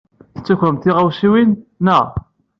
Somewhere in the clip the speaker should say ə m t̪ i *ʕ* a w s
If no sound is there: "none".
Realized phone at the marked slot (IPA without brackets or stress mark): ʁ